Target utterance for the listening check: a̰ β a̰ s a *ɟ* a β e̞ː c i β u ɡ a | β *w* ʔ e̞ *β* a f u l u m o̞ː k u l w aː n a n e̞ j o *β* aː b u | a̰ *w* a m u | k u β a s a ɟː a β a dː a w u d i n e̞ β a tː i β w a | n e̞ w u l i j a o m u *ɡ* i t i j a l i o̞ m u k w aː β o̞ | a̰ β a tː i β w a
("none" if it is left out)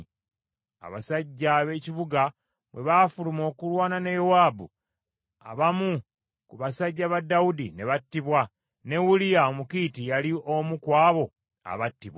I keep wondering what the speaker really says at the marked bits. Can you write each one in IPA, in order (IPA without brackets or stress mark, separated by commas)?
ɟː, w, β, w, β, k